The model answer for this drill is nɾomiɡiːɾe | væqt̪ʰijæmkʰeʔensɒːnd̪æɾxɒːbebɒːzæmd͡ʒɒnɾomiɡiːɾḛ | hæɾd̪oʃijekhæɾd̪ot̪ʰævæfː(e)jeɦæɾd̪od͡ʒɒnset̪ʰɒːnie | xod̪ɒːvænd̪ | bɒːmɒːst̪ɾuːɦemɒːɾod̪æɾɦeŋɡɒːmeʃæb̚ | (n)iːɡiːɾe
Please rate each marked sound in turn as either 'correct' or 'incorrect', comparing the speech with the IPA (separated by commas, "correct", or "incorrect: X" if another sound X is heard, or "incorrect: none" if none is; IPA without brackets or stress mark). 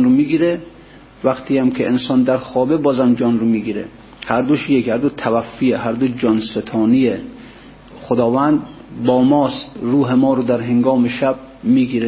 incorrect: i, incorrect: m